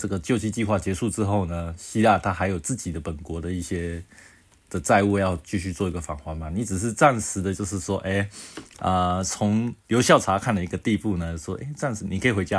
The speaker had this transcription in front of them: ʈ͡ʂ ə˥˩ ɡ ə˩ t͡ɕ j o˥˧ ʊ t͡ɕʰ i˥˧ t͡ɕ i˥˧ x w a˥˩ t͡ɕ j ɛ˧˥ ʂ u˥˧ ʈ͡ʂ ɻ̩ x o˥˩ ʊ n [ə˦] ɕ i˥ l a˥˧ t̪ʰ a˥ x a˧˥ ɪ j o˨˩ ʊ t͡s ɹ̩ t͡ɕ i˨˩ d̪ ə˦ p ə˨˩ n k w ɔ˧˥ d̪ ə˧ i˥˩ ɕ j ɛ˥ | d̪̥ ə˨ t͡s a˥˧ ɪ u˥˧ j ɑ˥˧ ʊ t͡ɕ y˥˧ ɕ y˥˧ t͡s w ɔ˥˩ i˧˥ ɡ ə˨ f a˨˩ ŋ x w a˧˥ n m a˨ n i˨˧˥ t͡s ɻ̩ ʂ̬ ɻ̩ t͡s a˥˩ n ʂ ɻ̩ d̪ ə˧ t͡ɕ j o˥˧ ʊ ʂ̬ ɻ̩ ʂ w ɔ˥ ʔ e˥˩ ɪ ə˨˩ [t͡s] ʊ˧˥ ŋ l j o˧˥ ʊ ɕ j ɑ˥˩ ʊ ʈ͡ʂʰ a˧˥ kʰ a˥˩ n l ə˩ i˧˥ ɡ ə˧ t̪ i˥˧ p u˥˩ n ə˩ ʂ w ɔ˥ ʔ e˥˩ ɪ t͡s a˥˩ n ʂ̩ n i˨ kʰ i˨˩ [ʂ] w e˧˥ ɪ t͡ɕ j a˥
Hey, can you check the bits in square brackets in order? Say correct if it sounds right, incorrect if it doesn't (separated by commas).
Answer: incorrect, incorrect, incorrect